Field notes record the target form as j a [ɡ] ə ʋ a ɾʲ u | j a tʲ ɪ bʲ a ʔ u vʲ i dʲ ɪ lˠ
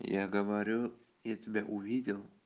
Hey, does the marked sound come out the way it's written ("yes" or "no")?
yes